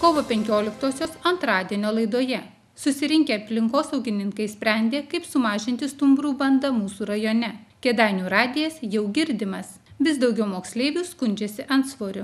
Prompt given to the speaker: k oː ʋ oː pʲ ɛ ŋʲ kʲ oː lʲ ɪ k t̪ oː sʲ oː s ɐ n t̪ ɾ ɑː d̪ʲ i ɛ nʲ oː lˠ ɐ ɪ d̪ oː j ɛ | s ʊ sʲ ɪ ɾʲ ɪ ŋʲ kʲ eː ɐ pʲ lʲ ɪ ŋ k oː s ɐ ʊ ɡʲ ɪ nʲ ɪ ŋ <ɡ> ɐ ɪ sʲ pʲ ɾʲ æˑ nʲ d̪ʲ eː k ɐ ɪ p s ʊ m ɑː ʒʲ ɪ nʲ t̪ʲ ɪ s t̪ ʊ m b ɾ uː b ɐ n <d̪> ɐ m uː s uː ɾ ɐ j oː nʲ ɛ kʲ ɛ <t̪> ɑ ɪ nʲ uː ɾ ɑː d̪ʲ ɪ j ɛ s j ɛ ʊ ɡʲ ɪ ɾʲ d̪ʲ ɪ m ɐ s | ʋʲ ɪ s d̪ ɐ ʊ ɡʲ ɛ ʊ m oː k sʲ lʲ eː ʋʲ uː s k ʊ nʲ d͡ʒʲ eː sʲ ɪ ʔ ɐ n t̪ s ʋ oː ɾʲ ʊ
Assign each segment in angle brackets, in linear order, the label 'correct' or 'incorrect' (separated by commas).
incorrect, correct, incorrect